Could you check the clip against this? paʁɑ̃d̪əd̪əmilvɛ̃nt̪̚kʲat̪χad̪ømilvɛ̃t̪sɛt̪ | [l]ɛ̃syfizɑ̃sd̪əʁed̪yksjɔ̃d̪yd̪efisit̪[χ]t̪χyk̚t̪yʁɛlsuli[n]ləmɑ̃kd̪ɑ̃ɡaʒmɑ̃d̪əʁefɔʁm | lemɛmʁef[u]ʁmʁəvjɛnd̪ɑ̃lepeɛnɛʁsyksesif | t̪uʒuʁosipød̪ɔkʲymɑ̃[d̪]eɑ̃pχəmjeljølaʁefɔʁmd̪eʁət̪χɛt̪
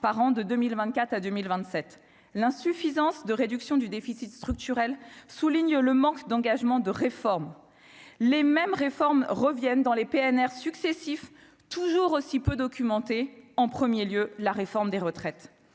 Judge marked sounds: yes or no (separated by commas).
yes, no, no, no, no